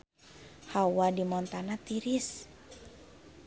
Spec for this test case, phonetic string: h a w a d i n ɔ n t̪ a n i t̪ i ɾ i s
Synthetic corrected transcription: h a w a d i m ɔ n t̪ a n a t̪ i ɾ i s